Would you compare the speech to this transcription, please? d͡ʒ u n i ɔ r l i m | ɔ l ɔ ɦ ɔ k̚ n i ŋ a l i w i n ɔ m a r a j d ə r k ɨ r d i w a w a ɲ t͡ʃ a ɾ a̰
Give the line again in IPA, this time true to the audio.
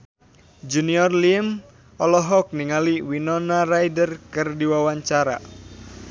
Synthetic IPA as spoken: d͡ʒ u n i ɔ r l i m | ɔ l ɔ ɦ ɔ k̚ n i ŋ a l i w i n ɔ n a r a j d ə r k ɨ r d i w a w a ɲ t͡ʃ a ɾ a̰